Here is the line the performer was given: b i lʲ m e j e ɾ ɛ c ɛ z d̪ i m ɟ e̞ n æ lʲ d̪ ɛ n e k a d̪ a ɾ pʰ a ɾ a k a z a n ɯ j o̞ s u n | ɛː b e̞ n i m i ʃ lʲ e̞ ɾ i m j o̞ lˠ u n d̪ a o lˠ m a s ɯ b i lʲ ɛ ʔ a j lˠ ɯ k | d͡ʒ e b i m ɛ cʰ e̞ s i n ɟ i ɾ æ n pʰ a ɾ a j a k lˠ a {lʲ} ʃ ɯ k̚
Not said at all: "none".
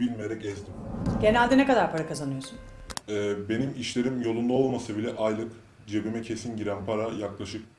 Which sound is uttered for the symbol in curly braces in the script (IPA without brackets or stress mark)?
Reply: none